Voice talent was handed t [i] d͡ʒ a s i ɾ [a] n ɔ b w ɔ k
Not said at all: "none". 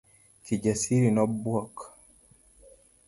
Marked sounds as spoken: i, i

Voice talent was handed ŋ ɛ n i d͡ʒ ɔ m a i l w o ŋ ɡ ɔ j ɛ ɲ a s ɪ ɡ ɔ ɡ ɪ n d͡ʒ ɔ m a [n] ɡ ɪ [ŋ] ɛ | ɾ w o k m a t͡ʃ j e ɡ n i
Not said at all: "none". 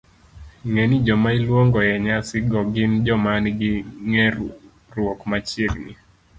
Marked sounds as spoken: n, ŋ

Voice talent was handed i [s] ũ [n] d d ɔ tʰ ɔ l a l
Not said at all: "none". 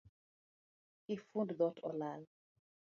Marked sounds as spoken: f, n

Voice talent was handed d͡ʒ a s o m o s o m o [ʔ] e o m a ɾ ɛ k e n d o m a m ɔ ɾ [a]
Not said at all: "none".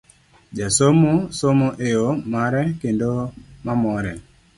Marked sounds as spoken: ʔ, ɛ

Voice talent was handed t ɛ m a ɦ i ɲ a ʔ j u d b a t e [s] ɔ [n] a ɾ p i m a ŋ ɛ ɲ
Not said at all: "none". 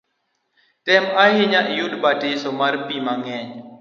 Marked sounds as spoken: s, m

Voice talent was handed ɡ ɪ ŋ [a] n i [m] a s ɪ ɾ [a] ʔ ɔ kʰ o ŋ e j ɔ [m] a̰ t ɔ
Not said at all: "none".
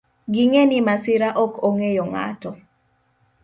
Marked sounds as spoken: e, m, a, ŋ

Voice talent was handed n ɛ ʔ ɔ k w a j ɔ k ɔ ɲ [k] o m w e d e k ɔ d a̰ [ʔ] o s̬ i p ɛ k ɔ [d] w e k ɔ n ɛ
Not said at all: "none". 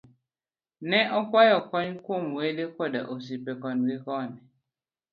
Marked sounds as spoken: k, ʔ, n

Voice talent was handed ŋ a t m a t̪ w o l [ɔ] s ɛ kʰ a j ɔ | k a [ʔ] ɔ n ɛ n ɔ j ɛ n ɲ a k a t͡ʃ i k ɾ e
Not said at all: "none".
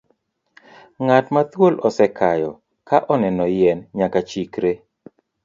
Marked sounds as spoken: ɔ, ʔ

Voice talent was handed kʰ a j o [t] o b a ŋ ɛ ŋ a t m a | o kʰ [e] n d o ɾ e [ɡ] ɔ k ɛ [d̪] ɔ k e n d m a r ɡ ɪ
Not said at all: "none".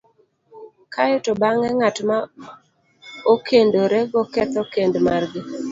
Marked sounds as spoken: t, e, ɡ, t̪

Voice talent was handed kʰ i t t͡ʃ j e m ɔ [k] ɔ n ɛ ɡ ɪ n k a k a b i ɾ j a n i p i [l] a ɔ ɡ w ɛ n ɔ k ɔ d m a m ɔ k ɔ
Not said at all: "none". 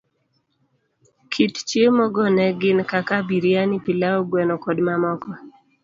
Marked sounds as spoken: ɡ, l

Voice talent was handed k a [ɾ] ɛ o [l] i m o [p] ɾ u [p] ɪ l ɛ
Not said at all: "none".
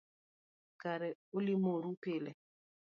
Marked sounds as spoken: ɾ, l, none, p

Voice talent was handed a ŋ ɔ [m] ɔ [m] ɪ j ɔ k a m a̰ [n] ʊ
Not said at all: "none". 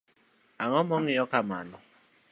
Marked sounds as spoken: m, ŋ, n

